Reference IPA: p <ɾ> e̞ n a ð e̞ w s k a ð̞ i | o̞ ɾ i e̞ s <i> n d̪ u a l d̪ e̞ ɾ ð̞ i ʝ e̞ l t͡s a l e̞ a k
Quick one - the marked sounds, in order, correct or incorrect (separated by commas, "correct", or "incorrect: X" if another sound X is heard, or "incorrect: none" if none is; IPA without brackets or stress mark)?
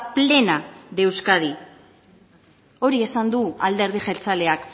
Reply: incorrect: l, incorrect: a